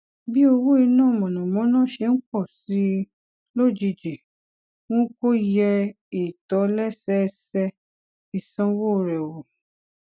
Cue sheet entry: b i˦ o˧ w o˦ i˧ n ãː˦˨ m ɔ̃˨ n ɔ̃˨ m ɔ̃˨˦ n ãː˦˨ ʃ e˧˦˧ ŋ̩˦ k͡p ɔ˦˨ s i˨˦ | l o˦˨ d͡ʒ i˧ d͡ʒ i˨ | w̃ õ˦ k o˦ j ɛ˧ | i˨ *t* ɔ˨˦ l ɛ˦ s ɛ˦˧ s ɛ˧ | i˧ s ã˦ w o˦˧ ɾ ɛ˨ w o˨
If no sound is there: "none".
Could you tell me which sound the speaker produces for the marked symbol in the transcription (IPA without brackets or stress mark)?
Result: t